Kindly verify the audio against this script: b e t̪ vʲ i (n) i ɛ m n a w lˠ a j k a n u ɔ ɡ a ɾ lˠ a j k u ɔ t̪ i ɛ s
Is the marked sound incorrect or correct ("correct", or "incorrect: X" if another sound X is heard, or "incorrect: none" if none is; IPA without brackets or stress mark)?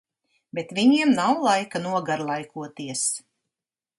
incorrect: ɲ